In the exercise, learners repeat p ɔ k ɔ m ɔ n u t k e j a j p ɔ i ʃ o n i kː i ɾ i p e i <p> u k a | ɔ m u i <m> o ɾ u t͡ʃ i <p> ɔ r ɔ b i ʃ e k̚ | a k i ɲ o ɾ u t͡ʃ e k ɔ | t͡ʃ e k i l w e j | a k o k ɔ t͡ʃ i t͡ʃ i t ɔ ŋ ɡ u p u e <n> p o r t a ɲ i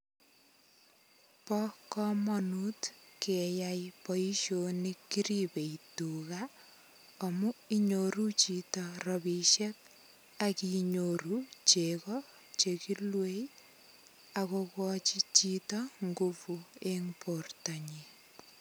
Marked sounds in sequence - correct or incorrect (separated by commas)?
incorrect, incorrect, incorrect, incorrect